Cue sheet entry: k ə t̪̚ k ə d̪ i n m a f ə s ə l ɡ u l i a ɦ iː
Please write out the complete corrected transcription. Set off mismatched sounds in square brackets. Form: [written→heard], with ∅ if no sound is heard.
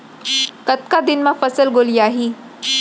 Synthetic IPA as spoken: k ə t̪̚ k [ə→a] d̪ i n m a f ə s ə l ɡ [u→o] l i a ɦ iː